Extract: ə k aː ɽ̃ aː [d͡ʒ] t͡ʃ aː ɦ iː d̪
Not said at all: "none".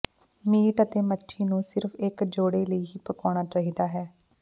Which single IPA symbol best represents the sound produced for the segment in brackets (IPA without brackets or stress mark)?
none